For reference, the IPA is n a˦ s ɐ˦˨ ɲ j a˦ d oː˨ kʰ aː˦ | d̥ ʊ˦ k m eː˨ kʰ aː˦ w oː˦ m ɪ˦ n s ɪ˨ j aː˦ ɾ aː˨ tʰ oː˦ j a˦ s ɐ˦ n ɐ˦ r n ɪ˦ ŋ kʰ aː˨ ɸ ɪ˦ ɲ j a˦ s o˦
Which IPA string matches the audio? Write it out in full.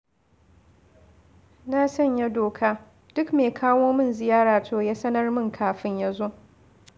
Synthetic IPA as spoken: n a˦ s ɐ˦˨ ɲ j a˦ d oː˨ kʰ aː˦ | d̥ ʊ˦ k m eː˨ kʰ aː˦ w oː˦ m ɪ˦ n z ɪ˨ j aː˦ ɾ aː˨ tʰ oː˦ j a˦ s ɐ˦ n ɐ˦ r m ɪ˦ ŋ kʰ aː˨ ɸ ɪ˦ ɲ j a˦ z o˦

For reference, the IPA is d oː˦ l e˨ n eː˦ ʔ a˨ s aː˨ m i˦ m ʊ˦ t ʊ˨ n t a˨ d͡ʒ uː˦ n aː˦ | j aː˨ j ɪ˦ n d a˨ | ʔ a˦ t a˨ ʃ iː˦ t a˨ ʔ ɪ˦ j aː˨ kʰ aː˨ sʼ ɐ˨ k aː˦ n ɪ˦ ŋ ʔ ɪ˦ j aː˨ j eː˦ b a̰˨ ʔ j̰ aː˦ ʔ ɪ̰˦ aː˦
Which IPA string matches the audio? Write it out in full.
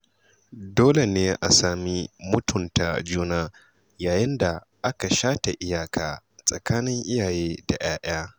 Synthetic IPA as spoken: d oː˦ l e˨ n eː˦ ʔ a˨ s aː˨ m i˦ m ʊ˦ t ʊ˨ n t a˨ d͡ʒ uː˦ n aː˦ | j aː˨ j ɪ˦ n d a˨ | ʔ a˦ k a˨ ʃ aː˦ t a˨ ʔ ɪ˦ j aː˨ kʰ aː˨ sʼ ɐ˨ k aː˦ n ɪ˦ ŋ ʔ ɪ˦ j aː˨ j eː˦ d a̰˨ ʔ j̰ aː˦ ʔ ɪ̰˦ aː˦

